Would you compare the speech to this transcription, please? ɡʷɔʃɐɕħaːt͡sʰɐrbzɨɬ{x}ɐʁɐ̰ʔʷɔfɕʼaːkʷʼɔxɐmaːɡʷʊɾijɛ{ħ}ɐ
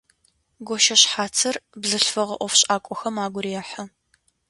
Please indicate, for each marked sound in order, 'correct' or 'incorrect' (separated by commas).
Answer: incorrect, correct